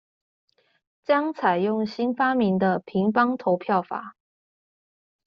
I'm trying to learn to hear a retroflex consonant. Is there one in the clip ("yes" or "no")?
no